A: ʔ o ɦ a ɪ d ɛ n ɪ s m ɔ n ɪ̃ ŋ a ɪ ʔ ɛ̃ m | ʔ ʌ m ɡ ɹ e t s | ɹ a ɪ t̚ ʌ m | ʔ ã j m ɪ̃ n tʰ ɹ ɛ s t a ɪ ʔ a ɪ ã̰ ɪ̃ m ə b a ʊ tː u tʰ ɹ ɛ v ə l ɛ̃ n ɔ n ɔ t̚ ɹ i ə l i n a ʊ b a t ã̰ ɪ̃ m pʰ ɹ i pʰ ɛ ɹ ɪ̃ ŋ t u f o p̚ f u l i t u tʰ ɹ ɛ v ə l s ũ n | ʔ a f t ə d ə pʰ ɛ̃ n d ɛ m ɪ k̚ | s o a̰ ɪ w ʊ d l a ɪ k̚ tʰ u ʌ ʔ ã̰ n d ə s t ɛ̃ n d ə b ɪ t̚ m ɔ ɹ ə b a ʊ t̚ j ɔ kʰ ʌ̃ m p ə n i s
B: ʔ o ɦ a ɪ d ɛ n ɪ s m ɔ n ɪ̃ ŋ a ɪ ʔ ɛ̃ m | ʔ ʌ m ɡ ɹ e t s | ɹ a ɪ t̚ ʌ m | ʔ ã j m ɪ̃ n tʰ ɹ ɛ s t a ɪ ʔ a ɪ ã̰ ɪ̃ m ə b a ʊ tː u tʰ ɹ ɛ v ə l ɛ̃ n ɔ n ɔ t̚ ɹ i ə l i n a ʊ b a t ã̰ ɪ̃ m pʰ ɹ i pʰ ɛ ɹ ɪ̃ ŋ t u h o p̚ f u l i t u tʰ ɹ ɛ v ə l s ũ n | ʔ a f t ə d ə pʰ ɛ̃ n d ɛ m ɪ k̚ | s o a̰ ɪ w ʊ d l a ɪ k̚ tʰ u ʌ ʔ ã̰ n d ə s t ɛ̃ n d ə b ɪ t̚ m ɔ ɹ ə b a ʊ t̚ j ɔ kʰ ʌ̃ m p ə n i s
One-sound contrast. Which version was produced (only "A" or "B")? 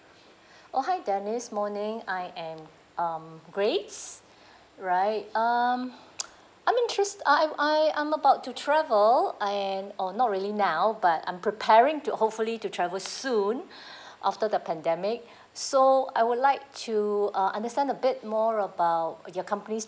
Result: B